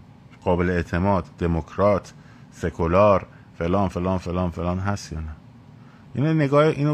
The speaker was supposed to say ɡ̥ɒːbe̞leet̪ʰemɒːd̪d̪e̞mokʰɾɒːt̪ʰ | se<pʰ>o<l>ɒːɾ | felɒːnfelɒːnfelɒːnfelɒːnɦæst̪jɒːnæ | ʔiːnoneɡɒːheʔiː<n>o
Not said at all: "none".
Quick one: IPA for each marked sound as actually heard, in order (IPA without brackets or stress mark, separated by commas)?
kʰ, l, n